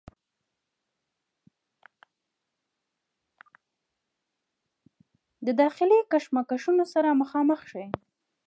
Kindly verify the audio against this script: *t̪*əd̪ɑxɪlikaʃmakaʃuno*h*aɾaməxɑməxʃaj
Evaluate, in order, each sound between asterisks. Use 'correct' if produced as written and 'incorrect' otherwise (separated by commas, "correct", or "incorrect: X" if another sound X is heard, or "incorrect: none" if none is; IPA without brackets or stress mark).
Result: incorrect: d̪, incorrect: s